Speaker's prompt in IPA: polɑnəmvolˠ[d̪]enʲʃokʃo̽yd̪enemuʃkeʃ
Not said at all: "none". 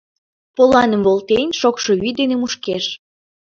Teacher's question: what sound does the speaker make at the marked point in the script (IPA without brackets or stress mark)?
t̪